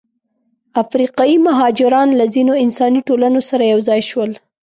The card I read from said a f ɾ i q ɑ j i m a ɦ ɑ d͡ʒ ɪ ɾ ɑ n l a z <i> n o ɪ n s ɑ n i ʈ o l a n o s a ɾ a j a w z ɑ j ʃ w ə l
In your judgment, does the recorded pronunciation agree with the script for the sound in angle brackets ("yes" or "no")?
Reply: yes